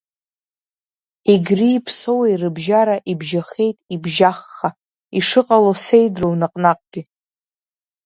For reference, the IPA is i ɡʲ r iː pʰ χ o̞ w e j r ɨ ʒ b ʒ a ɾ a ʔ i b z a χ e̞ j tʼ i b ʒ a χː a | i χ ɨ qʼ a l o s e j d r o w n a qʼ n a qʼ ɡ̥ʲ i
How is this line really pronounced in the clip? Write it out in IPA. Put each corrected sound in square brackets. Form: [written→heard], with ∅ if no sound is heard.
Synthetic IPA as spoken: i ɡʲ r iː pʰ [χ→s] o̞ w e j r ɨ [ʒ→∅] b ʒ a ɾ a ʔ i b [z→ʒ] a χ e̞ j tʼ i b ʒ a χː a | i [χ→ʂ] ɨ qʼ a l o s e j d r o w n a qʼ n a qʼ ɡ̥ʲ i